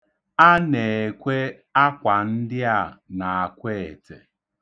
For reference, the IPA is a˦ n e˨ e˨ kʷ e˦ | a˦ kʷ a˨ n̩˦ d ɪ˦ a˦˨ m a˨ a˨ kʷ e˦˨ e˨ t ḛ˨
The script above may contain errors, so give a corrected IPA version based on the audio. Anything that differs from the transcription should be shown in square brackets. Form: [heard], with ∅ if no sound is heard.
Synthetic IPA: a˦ n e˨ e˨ kʷ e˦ | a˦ kʷ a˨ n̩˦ d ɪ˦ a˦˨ [n] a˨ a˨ kʷ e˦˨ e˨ t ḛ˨

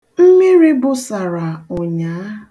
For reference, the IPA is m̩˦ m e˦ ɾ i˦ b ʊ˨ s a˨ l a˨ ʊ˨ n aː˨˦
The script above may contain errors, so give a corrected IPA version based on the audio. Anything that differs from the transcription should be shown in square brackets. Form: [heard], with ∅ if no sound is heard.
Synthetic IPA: m̩˦ m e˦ ɾ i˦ b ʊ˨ s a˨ [ɾ] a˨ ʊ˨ [ɲ] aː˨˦

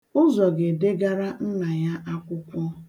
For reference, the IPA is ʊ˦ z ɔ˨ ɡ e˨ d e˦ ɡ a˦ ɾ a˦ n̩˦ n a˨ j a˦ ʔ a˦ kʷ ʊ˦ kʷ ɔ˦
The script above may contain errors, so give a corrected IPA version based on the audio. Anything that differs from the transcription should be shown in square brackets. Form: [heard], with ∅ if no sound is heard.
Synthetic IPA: ʊ˦ z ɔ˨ ɡ e˨ d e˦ ɡ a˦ ɾ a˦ n̩˦ n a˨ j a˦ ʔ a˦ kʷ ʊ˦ kʷ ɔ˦

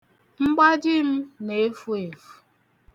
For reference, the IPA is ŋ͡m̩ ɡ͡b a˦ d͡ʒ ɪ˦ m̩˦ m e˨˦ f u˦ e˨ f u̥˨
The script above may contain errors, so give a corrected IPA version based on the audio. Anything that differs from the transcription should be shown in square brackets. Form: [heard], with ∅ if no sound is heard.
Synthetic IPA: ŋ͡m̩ ɡ͡b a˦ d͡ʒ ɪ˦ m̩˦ [n] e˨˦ f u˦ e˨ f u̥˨

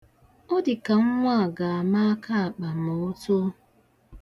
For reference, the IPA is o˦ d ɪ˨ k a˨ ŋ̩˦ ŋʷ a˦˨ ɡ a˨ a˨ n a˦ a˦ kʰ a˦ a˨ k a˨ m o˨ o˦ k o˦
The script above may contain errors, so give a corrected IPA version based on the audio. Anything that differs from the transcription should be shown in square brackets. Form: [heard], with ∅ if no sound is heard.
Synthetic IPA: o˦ d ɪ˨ k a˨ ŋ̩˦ ŋʷ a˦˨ ɡ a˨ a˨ [m] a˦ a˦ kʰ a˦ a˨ [k͡p] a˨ m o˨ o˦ [t] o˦

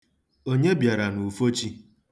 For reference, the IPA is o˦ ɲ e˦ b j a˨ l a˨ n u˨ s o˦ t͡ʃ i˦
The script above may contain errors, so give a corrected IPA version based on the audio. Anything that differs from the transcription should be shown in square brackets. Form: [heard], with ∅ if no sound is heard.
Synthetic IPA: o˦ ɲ e˦ b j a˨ [ɾ] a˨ n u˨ [f] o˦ t͡ʃ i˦

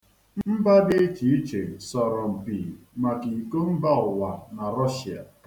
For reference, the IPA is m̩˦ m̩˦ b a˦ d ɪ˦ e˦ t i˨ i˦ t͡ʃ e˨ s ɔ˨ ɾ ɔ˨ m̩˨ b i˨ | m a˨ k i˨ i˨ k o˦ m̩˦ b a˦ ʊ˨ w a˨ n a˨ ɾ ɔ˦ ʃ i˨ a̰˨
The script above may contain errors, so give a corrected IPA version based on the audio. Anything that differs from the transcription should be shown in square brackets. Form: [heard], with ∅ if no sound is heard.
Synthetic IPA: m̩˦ m̩˦ b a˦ d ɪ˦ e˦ [t͡ʃ] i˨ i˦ t͡ʃ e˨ s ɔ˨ ɾ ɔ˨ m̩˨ [p] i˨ | m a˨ k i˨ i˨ k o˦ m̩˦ b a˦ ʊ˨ w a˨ n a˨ ɾ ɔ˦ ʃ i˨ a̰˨

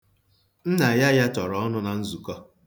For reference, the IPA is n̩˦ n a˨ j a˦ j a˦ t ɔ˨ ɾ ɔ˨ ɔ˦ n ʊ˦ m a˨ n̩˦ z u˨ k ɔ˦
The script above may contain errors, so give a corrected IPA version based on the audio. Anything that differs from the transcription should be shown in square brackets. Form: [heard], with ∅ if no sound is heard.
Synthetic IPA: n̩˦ n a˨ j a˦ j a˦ t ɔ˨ ɾ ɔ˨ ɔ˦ n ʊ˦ [n] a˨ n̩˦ z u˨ k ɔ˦

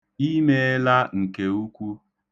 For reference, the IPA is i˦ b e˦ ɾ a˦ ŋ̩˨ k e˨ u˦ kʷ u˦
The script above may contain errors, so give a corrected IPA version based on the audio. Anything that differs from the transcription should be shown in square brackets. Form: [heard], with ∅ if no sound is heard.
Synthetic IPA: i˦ [m] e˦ [l] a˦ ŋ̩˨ k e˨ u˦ kʷ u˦

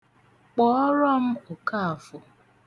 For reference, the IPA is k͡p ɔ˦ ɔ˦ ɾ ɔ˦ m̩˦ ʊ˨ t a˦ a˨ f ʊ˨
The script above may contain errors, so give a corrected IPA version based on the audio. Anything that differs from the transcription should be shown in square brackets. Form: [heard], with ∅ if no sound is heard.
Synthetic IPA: k͡p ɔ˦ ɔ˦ ɾ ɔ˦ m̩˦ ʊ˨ [k] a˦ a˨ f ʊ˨

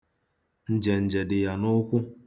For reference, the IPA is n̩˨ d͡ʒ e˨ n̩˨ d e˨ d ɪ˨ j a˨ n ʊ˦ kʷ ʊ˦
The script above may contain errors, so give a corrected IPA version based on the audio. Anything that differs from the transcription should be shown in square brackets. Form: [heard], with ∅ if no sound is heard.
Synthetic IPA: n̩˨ d͡ʒ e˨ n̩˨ [d͡ʒ] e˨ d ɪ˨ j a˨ n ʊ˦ kʷ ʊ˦

